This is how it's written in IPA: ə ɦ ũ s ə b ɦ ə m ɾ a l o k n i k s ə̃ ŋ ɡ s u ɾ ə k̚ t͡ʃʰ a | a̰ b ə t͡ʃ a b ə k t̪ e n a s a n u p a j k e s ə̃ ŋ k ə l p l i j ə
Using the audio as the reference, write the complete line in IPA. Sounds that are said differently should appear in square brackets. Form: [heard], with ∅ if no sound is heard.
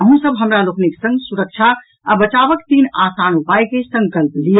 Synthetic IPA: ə ɦ ũ s ə b ɦ ə m ɾ a l o k n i k s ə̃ ŋ ɡ s u ɾ ə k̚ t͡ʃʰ a | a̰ b ə t͡ʃ a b ə k t̪ [i] n a s a n u p a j k e s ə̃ ŋ k ə l p l i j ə